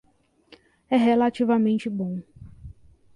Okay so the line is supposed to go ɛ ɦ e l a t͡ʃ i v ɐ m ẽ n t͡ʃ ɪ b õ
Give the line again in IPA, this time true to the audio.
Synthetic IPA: ɛ ɦ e l a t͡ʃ i v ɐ m ẽ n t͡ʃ ɪ b õ